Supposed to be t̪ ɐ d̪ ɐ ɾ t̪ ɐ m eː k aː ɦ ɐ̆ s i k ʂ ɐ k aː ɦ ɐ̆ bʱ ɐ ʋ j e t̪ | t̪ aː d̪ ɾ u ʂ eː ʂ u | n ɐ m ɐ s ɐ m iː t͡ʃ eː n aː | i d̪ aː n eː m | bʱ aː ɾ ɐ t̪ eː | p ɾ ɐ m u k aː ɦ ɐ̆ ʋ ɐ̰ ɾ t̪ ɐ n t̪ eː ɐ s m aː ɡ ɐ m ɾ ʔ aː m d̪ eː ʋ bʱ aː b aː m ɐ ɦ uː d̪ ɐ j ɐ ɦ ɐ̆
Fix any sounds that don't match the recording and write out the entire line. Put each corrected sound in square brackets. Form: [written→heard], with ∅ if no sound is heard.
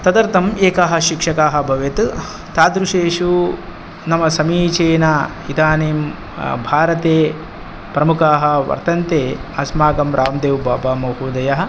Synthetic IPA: t̪ ɐ d̪ ɐ ɾ t̪ ɐ m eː k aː ɦ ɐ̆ [s→ʃ] i k ʂ ɐ k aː ɦ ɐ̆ bʱ ɐ ʋ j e t̪ | t̪ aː d̪ ɾ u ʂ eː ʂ u | n ɐ m ɐ s ɐ m iː t͡ʃ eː n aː | i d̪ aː n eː m | bʱ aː ɾ ɐ t̪ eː | p ɾ ɐ m u k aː ɦ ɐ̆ ʋ ɐ̰ ɾ t̪ ɐ n t̪ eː ɐ s m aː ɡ ɐ m ɾ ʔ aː m d̪ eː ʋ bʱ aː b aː m ɐ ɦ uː d̪ ɐ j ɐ ɦ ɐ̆